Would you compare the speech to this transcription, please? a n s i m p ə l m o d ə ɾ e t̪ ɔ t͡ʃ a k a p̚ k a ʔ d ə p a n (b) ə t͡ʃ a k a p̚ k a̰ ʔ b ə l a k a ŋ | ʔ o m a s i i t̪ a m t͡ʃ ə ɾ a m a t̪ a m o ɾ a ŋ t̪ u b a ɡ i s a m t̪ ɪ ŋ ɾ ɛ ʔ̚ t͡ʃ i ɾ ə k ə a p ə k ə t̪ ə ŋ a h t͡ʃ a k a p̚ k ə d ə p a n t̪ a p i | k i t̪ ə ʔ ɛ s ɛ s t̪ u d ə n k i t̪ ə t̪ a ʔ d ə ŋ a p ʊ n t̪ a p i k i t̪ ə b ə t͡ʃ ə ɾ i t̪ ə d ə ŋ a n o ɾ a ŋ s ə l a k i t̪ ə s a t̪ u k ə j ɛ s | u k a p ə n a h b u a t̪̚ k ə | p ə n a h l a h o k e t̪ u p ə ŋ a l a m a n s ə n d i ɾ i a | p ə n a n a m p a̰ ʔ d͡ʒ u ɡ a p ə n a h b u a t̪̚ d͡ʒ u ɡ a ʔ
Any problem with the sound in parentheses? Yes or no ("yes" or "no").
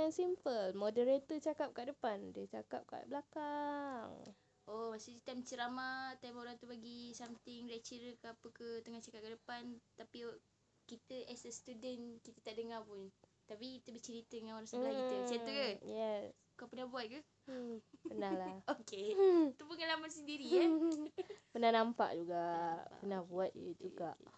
yes